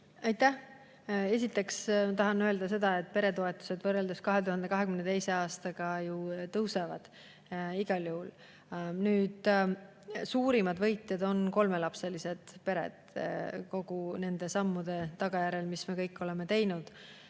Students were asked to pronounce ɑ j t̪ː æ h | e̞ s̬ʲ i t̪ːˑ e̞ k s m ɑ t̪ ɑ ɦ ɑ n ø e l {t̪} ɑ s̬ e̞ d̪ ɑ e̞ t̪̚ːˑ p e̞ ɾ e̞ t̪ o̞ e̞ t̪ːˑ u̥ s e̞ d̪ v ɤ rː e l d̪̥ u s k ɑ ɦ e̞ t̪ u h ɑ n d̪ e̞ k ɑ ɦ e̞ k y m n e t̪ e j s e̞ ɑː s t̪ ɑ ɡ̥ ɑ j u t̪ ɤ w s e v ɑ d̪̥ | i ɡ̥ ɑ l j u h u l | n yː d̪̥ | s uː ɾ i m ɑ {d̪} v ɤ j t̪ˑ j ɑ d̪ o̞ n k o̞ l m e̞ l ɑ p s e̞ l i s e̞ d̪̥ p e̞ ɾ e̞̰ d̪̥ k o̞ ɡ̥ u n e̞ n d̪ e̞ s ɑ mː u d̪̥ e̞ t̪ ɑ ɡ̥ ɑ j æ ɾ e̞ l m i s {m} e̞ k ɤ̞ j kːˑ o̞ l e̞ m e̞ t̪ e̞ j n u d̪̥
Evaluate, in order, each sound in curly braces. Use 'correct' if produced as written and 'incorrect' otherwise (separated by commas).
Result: incorrect, correct, correct